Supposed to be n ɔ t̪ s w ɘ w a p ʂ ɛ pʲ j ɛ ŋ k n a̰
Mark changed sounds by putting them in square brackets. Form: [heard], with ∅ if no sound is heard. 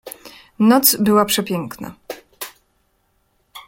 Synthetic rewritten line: n ɔ t̪ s [b] ɘ w a p ʂ ɛ pʲ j ɛ ŋ k n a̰